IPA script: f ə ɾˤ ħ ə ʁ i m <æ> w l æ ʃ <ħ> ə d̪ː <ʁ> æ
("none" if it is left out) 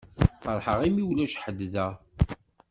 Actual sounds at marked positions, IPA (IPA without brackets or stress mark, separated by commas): i, ħ, ð